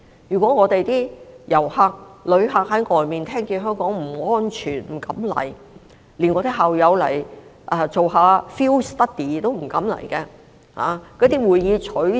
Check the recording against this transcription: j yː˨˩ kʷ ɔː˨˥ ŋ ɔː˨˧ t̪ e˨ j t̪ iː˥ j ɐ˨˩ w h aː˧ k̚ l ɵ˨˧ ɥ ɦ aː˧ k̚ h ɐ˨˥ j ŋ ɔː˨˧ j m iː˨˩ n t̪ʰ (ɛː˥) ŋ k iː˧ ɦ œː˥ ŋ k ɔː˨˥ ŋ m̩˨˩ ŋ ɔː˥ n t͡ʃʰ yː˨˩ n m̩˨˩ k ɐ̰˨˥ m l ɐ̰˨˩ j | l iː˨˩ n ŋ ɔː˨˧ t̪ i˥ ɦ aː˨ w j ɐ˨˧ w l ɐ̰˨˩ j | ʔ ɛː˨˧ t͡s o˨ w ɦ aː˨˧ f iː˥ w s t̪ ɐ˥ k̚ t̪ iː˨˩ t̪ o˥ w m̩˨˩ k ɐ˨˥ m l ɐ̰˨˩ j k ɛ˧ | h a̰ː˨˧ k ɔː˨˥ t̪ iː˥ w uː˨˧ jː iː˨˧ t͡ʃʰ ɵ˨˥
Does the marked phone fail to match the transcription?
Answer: no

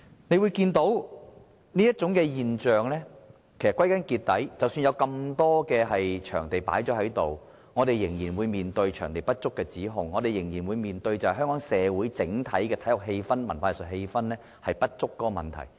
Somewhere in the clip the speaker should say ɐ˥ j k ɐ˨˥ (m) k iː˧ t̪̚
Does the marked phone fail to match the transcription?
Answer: yes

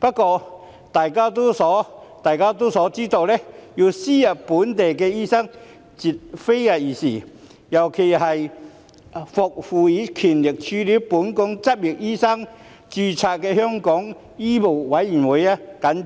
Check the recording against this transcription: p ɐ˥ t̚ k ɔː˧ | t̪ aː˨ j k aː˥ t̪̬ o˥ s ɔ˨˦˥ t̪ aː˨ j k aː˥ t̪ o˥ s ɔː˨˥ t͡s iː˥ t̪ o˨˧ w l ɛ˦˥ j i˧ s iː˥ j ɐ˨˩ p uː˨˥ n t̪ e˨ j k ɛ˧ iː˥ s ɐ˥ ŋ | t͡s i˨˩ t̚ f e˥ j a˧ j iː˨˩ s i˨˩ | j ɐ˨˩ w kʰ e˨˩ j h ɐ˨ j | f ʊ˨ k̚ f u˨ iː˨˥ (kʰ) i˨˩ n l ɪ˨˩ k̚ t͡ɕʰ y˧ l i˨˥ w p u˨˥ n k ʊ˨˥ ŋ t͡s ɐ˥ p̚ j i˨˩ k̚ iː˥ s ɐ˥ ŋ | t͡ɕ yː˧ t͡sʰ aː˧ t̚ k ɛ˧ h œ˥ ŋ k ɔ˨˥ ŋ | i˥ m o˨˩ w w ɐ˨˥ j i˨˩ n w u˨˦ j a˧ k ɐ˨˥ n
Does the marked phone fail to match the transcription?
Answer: no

